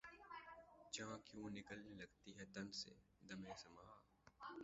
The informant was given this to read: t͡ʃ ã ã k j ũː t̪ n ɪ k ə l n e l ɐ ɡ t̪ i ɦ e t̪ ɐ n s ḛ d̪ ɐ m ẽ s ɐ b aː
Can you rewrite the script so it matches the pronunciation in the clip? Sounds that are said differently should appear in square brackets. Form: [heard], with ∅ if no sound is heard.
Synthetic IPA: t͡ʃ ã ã k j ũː [∅] n ɪ k ə l n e l ɐ ɡ t̪ i ɦ [ɛ] t̪ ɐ n s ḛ d̪ ɐ m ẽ s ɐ [m] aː